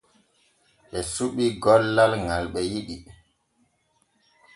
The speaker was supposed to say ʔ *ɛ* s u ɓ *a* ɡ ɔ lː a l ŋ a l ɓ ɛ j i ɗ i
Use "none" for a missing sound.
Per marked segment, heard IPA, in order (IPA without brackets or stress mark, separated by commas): ɛ, i